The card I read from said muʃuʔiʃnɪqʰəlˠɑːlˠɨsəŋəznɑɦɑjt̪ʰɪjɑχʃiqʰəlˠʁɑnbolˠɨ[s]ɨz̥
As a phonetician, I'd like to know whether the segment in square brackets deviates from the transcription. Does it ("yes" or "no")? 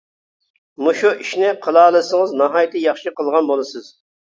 no